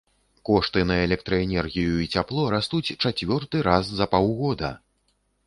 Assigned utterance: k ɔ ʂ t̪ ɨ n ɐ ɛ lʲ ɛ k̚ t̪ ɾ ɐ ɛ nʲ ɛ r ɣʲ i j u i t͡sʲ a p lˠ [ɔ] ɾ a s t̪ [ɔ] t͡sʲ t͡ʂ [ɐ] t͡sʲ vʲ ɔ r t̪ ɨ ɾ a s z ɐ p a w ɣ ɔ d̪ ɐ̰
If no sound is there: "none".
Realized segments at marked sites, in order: ɔ, u, a

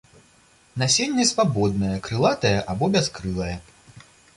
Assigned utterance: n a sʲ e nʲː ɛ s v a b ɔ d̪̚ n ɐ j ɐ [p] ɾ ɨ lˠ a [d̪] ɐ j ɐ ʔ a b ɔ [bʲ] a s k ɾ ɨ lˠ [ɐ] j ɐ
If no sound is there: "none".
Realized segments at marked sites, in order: k, t̪, bʲ, ɐ

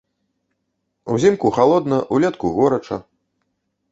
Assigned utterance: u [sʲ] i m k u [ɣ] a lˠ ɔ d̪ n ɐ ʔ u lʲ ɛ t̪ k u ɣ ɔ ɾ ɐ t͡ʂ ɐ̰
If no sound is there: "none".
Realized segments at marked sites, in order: zʲ, x

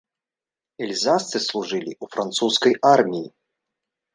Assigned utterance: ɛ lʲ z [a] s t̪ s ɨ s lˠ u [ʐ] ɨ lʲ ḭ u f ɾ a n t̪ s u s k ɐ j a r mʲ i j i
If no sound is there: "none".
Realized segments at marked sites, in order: a, ʐ

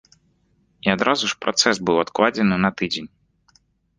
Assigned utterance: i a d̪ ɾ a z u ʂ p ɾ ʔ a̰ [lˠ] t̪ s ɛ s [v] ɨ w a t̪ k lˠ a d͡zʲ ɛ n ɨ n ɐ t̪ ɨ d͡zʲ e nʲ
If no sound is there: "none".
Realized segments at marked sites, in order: none, b

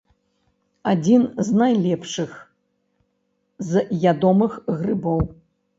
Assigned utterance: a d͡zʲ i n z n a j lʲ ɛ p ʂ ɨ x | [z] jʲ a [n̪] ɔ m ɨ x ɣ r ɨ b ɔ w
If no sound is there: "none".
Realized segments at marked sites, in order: z, d̪

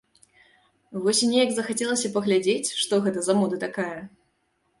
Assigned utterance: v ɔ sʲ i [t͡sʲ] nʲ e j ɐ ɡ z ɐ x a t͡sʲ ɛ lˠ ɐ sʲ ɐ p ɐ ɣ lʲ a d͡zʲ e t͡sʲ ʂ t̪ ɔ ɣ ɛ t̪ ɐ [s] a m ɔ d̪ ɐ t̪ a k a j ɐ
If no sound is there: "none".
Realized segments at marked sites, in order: none, z

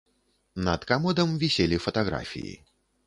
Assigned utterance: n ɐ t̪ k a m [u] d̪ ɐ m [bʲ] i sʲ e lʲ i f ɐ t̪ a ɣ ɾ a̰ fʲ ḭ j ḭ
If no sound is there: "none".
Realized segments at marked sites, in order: ɔ, vʲ

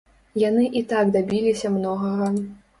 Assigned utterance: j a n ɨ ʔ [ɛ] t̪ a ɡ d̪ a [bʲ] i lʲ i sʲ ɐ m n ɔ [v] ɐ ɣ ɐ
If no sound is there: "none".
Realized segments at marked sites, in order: i, bʲ, ɣ

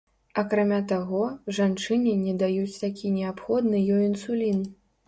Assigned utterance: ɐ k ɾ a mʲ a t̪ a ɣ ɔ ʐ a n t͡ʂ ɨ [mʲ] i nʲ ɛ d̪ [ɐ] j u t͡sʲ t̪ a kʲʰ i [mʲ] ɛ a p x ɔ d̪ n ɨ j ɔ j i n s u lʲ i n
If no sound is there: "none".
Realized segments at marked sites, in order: nʲ, a, nʲ

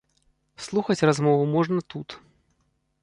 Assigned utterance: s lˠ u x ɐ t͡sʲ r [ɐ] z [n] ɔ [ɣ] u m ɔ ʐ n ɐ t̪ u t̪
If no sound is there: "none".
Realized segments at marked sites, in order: a, m, v

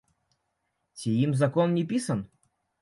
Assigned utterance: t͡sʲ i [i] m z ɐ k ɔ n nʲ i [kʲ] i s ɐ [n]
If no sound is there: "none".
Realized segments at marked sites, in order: i, pʲ, n

